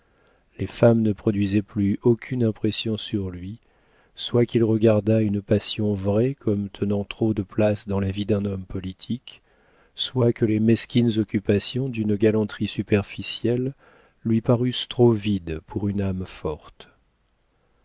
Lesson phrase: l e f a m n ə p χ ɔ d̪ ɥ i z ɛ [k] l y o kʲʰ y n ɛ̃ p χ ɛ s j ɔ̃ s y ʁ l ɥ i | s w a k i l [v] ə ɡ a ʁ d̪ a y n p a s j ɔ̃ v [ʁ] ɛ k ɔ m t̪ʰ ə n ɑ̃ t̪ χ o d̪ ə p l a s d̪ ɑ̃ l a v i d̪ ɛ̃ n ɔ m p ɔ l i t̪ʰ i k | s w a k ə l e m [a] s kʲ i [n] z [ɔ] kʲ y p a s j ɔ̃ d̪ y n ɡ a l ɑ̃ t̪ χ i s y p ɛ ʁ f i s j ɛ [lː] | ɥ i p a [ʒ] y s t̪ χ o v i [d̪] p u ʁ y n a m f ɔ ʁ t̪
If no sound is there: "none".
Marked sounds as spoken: p, ʁ, ʁ, ɛ, n, ɔ, lː, ʁ, d̪

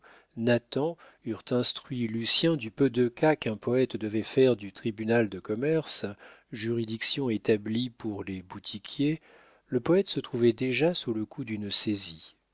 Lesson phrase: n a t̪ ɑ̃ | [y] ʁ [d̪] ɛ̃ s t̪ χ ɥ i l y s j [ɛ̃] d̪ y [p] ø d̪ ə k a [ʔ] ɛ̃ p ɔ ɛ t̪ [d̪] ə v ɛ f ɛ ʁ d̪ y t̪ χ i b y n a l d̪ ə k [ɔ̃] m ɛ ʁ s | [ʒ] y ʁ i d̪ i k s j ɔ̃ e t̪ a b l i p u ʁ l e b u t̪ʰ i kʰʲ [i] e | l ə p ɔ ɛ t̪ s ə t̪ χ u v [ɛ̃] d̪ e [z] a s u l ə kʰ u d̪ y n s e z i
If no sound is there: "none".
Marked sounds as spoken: y, t̪, ɛ̃, p, k, d̪, ɔ, ʒ, j, ɛ, ʒ

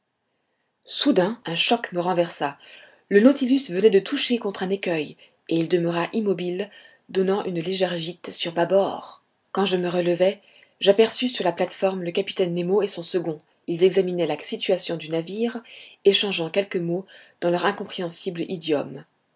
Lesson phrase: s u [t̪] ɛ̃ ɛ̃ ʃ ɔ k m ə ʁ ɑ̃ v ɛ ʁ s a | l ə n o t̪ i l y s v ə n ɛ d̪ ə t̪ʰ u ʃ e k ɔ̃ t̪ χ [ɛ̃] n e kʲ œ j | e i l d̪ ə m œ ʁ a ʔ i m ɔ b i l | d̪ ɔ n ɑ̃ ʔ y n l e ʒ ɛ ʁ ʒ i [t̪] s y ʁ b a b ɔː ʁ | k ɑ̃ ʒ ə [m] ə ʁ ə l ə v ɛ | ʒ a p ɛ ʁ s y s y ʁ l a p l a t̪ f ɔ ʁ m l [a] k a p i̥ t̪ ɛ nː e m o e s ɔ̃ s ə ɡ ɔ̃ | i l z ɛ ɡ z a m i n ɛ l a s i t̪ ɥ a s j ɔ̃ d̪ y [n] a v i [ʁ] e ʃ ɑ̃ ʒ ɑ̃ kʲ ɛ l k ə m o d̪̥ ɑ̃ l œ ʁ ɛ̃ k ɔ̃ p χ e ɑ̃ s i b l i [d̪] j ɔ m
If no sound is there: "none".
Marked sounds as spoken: d̪, ɛ̃, t̪, m, ə, n, ʁ, d̪

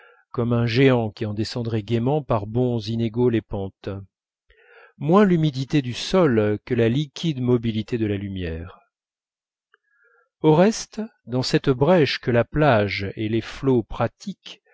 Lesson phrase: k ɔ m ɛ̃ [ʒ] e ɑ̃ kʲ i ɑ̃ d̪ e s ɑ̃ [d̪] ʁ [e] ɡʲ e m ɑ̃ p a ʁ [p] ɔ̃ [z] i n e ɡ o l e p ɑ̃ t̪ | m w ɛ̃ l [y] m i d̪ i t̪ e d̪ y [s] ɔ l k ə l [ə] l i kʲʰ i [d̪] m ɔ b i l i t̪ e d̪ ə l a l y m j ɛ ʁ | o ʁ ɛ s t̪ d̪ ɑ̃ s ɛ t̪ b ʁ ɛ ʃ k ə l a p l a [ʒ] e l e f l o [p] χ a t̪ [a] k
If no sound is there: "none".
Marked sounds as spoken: ʒ, d̪, ɛ, b, z, y, s, a, d̪, ʒ, p, i

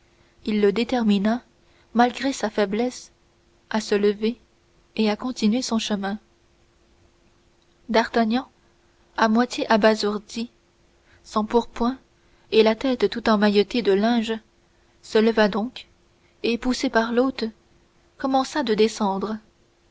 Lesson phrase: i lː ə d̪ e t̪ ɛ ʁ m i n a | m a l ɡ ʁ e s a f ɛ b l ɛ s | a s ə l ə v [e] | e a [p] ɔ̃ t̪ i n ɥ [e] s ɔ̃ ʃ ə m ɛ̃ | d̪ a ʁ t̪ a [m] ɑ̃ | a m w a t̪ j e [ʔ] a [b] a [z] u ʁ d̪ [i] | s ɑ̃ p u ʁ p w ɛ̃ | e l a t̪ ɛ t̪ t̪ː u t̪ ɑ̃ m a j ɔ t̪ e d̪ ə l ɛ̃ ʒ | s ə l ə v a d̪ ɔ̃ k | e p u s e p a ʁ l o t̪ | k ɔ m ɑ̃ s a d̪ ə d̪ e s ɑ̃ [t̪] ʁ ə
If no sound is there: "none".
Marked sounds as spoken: e, k, e, ɲ, ʔ, b, z, i, d̪

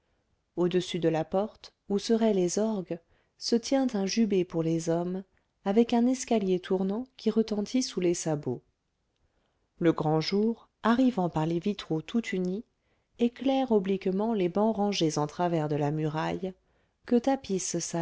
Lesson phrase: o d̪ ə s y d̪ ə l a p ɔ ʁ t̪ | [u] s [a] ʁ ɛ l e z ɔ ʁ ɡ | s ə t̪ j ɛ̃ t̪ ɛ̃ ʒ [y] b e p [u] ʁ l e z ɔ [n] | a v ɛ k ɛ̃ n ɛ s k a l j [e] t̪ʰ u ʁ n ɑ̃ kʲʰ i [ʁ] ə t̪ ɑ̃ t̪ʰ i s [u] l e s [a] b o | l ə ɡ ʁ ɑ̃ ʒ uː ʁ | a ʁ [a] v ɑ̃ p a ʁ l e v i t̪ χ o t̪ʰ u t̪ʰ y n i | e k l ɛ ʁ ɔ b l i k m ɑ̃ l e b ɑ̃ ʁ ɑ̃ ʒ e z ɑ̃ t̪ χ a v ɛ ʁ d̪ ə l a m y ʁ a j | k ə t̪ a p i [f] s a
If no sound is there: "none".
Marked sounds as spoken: u, ə, y, u, m, e, ʁ, u, a, i, s

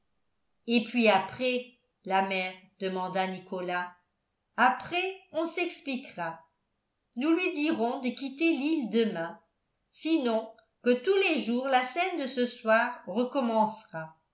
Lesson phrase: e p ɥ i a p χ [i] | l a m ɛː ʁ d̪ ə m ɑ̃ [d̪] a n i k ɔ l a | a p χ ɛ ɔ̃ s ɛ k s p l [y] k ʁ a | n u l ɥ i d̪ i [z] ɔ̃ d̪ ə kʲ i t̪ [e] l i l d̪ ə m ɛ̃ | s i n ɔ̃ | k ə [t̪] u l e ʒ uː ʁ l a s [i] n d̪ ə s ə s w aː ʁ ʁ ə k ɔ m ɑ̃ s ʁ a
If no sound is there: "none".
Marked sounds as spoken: ɛ, d̪, i, ʁ, e, t̪, ɛ

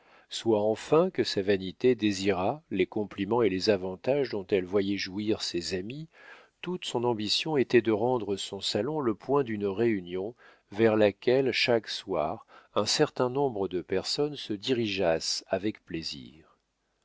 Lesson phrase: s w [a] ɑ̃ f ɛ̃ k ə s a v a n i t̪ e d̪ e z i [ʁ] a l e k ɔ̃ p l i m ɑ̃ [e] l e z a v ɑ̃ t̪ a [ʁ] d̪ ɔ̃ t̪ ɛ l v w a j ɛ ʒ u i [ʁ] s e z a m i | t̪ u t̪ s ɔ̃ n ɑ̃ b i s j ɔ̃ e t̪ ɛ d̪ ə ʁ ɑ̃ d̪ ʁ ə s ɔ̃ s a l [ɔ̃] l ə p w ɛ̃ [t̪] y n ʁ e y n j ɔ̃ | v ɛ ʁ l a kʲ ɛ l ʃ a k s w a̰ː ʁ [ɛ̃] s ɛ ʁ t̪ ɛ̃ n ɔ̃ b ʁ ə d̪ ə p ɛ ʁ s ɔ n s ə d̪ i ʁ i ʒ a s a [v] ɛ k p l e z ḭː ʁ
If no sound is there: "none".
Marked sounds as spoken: a, ʁ, e, ʒ, ʁ, ɔ̃, d̪, ɛ̃, v

